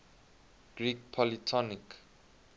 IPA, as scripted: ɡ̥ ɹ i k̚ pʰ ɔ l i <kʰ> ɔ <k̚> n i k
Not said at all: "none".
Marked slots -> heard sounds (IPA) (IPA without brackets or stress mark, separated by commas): tʰ, none